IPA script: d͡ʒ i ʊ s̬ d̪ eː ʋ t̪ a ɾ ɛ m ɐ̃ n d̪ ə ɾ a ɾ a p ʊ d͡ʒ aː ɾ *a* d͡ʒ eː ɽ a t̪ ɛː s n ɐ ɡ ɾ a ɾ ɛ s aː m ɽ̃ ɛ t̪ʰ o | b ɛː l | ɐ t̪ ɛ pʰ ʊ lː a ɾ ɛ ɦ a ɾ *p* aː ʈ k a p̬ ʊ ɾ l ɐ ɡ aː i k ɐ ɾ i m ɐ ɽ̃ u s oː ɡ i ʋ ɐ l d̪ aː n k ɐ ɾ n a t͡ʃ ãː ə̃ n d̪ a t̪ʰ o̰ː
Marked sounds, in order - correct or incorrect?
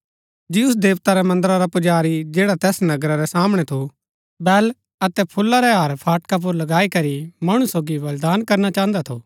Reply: incorrect, incorrect

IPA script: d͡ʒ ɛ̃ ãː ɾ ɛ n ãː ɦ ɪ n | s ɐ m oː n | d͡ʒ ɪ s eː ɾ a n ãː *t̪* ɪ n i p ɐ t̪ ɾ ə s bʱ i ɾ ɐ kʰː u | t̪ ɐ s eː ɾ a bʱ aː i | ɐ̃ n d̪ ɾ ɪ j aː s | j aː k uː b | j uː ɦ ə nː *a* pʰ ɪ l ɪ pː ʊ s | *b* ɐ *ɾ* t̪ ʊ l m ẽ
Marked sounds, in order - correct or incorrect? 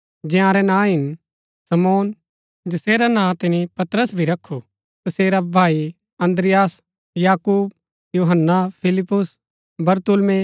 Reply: correct, correct, correct, correct

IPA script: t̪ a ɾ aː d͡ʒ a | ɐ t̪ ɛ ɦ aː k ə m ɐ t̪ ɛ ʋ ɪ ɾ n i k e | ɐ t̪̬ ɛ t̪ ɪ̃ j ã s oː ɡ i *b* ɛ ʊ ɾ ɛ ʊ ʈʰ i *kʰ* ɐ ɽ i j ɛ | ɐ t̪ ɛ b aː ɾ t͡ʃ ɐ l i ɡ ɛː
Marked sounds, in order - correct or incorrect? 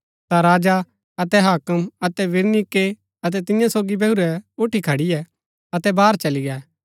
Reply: correct, correct

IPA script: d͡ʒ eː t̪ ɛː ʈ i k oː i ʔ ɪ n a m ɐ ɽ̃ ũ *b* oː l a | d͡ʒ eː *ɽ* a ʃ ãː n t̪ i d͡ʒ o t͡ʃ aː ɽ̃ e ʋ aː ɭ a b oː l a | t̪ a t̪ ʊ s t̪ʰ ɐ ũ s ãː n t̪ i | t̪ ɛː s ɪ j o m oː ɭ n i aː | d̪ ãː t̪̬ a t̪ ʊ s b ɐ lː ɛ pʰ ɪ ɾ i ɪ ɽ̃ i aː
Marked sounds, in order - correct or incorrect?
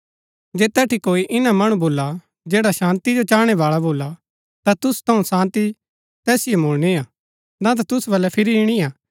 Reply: correct, correct

